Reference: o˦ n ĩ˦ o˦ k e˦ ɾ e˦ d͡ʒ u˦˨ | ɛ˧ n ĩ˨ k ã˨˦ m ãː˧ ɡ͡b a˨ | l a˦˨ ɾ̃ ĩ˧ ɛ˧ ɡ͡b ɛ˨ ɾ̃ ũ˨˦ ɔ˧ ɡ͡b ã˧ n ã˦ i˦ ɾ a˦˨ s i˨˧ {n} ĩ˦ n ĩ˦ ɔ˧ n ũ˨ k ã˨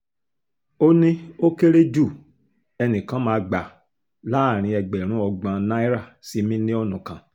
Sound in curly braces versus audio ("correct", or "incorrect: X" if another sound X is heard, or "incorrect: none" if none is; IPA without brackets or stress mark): incorrect: m